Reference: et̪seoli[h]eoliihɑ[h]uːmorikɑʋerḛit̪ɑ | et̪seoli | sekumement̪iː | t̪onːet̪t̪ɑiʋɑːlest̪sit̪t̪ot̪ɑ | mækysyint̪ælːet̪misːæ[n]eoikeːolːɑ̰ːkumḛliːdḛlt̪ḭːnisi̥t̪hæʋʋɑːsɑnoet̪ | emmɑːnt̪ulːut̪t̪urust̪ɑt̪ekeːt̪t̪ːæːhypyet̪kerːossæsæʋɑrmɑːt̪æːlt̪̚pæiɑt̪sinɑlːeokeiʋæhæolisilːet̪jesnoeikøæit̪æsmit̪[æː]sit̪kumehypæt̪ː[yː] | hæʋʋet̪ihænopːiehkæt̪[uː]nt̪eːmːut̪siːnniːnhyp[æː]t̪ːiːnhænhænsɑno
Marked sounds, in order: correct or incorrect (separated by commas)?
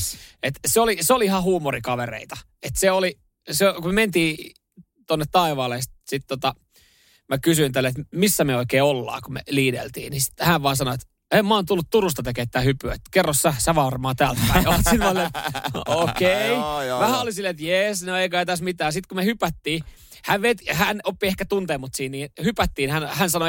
incorrect, correct, incorrect, correct, incorrect, incorrect, incorrect